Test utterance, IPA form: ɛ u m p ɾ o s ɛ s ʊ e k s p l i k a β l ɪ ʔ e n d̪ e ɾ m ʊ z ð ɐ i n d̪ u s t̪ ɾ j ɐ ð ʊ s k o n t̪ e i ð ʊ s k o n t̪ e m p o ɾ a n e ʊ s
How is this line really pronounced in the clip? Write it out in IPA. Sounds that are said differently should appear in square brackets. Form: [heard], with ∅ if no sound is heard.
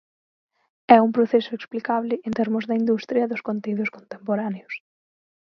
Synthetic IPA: ɛ u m p ɾ o [θ] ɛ s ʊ e k s p l i k a β l ɪ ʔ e n [t̪] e ɾ m ʊ z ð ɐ i n d̪ u s t̪ ɾ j ɐ ð ʊ s k o n t̪ e i ð ʊ s k o n t̪ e m p o ɾ a n e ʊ s